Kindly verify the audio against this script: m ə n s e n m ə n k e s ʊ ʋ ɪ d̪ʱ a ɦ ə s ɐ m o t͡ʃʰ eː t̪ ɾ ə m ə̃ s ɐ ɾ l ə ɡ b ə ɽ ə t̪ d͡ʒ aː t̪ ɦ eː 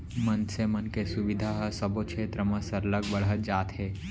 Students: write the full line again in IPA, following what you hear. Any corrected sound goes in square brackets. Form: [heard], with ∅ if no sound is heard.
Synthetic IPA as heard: m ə n s e [∅] m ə n k e s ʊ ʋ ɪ d̪ʱ a ɦ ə s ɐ [b] o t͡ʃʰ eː t̪ ɾ ə m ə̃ s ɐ ɾ l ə ɡ b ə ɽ ə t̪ d͡ʒ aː t̪ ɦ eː